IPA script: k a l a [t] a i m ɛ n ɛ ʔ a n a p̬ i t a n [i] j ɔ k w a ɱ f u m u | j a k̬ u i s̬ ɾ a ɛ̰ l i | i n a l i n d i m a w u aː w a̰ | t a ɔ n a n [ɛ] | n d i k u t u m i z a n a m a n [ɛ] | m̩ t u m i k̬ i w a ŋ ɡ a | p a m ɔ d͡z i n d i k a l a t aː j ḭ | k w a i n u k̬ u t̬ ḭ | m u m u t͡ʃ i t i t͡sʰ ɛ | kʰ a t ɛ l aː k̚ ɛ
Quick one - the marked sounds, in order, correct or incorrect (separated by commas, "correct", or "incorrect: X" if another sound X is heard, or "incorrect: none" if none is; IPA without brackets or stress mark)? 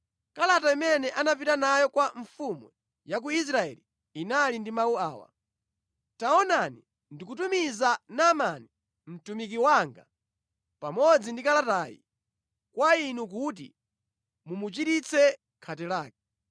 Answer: correct, incorrect: a, incorrect: i, incorrect: i